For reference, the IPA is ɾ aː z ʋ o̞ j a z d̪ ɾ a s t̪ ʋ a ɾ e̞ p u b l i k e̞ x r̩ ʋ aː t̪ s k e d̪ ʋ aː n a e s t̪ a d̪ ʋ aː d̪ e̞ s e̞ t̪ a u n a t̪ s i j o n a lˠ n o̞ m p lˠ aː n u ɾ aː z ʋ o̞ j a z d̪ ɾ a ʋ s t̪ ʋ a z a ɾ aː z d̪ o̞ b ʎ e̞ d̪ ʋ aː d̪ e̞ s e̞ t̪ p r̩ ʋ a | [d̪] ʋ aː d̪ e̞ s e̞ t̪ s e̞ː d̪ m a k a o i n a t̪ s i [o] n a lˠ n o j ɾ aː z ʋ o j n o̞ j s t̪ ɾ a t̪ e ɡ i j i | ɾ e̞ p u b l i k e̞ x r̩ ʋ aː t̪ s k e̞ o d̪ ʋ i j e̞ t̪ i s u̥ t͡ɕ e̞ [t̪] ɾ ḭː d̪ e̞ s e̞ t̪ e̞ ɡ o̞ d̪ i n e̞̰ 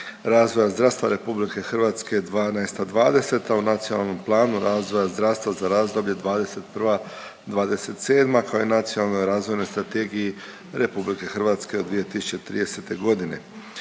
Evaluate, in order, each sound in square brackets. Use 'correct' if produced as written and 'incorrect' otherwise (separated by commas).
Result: correct, correct, correct